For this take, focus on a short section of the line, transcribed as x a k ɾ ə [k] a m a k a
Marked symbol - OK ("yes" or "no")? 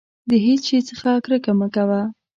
yes